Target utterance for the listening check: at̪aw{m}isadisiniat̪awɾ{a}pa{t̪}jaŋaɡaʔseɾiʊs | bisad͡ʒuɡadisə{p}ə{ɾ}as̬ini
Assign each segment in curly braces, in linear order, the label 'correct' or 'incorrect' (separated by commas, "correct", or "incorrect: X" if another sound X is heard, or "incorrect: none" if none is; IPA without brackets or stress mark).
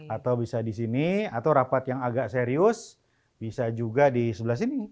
incorrect: b, correct, correct, incorrect: b, incorrect: l